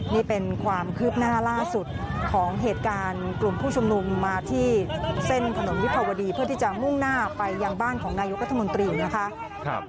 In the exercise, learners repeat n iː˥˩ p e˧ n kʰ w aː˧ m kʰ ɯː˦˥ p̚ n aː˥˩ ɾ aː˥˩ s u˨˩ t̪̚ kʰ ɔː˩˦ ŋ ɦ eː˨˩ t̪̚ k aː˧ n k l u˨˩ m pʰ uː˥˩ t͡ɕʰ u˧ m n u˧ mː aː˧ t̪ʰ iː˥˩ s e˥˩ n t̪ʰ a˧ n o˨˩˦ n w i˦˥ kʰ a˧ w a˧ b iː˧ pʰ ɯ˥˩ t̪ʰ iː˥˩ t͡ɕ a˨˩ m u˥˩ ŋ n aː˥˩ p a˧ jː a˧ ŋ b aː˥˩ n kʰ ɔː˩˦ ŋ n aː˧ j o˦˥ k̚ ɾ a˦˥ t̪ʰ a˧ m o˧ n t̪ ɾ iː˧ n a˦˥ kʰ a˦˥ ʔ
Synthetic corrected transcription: n iː˥˩ p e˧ n kʰ w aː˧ m kʰ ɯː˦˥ p̚ n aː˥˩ l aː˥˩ s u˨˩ t̪̚ kʰ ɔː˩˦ ŋ ɦ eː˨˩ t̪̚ k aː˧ n k l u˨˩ m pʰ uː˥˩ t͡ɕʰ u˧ m n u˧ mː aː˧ t̪ʰ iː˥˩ s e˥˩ n t̪ʰ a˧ n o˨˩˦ n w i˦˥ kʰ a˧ w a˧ d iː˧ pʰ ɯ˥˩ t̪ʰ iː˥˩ t͡ɕ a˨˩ m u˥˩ ŋ n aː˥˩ p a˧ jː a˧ ŋ b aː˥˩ n kʰ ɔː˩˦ ŋ n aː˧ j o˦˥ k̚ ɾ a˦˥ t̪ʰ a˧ m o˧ n t̪ ɾ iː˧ n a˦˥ kʰ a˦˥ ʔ